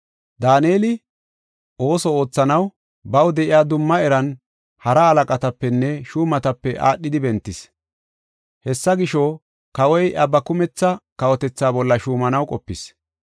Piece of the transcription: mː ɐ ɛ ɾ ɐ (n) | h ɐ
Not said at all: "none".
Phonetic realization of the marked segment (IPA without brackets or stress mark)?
n